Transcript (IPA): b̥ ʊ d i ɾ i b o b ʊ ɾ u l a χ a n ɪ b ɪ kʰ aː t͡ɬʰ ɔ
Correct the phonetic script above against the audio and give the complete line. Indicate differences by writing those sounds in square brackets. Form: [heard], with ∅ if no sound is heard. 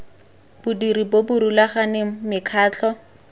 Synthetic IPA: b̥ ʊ d i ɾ i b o b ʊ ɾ u l a χ a n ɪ [m] ɪ kʰ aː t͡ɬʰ ɔ